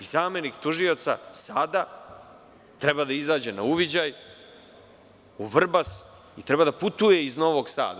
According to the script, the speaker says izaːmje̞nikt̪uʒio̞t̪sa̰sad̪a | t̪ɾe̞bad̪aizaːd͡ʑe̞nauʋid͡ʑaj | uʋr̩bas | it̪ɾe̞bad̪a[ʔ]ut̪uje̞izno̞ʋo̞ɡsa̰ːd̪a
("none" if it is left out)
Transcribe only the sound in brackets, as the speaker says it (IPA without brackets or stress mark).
p